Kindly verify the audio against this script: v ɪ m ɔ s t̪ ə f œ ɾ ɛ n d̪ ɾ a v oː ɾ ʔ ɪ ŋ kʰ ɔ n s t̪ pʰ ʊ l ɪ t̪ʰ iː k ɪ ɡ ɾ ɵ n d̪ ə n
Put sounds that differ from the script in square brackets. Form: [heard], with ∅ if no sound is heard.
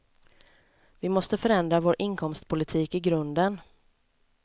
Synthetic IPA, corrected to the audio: v ɪ m ɔ s t̪ ə f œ ɾ ɛ n d̪ ɾ a v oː ɾ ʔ ɪ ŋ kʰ ɔ [m] s t̪ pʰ ʊ l ɪ t̪ʰ iː k ɪ ɡ ɾ ɵ n d̪ ə n